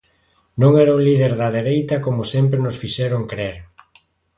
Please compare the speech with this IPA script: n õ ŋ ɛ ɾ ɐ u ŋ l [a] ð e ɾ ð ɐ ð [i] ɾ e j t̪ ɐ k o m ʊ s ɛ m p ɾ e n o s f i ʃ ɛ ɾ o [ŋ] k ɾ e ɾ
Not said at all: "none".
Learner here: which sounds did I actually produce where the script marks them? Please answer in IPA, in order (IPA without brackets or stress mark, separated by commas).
i, e, ŋ